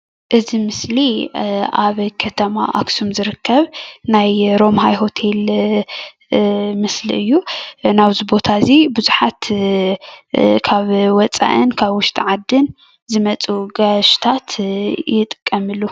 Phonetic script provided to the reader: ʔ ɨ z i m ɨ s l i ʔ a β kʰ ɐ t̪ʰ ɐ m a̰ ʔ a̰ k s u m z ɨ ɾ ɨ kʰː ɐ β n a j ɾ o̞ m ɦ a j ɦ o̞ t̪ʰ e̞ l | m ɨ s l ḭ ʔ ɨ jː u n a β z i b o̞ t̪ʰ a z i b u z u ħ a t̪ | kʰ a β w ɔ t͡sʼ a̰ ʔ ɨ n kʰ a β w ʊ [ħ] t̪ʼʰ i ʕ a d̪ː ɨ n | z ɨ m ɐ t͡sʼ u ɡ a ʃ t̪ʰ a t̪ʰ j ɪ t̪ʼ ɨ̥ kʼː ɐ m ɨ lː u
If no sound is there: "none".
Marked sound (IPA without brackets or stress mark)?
ʃ